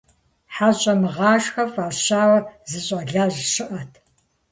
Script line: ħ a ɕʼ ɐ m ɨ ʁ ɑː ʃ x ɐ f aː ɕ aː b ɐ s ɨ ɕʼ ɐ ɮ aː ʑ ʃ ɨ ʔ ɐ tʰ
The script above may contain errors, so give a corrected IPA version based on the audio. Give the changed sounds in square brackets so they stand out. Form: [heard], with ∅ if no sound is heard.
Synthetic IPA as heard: ħ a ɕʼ ɐ m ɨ ʁ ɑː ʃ x ɐ f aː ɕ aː [w] ɐ [z] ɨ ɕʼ ɐ ɮ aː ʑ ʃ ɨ ʔ ɐ tʰ